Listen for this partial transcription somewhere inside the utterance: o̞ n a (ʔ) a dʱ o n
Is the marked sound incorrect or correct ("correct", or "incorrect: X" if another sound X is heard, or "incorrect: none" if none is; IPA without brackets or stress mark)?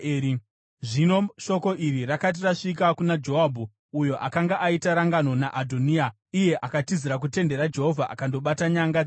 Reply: correct